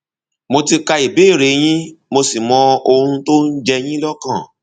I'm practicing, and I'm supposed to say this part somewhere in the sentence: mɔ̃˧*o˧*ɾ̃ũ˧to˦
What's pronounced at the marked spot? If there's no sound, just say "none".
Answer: o˧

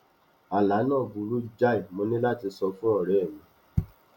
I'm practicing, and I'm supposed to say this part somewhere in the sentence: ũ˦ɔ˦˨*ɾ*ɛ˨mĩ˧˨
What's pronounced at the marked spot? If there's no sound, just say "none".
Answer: ɾ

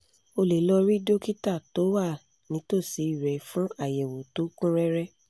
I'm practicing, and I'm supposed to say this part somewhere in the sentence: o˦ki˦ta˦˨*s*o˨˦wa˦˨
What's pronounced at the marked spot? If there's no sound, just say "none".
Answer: t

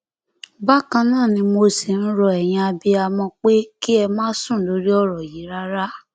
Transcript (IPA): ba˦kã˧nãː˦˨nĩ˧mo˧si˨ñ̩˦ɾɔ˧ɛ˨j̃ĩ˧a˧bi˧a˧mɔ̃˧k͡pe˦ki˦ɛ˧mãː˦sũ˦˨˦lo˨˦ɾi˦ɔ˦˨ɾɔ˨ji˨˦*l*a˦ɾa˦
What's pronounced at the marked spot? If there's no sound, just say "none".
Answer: ɾ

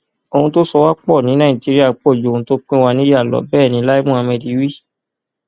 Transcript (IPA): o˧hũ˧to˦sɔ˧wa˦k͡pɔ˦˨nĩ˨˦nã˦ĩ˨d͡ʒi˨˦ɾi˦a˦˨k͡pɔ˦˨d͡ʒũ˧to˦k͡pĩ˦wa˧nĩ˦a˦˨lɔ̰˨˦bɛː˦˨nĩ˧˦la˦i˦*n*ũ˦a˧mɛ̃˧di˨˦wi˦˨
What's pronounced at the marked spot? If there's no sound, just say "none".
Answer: m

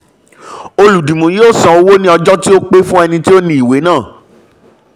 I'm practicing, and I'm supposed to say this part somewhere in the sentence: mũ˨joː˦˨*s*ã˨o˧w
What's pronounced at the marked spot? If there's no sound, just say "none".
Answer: s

